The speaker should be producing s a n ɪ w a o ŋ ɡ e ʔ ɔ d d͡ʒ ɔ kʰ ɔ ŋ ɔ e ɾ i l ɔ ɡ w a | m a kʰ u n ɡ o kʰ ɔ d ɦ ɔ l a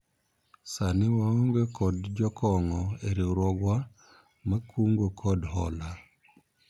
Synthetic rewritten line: s a n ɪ w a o ŋ ɡ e k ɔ d d͡ʒ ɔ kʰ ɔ ŋ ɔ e ɾ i ɾ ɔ ɡ w a | m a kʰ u ŋ ɡ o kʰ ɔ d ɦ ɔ l a